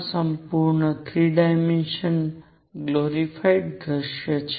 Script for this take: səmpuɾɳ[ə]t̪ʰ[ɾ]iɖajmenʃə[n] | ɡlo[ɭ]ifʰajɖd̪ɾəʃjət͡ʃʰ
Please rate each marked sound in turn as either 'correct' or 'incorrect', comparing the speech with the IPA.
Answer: correct, correct, correct, incorrect

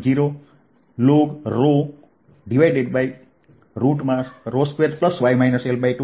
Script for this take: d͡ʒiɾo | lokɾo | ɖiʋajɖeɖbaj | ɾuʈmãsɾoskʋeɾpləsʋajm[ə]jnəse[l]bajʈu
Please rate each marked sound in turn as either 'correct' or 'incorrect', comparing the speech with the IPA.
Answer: incorrect, correct

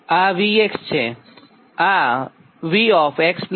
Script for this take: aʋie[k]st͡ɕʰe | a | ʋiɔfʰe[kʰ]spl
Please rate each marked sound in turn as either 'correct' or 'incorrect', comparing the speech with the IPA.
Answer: correct, incorrect

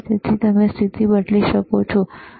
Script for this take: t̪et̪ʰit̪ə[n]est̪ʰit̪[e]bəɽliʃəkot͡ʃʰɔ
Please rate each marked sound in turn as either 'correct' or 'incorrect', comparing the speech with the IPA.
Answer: incorrect, incorrect

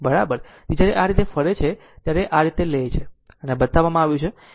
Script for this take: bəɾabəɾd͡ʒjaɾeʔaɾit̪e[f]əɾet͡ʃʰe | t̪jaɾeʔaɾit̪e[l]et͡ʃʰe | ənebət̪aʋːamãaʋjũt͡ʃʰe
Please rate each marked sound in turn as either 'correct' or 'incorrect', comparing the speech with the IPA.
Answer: correct, correct

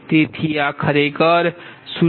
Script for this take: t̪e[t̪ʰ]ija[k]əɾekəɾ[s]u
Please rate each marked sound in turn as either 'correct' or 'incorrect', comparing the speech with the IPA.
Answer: correct, incorrect, correct

